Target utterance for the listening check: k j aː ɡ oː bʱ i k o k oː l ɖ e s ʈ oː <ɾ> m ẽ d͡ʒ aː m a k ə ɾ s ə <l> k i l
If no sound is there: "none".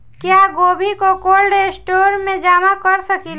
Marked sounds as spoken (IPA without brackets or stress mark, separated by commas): ɾ, none